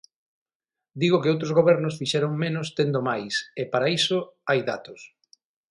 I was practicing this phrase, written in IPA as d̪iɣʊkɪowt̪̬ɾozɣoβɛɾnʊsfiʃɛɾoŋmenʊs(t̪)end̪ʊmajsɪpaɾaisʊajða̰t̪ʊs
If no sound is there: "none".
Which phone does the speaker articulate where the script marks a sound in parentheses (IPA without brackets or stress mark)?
t̪